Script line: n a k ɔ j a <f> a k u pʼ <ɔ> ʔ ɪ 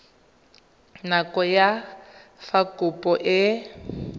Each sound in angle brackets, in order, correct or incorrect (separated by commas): correct, correct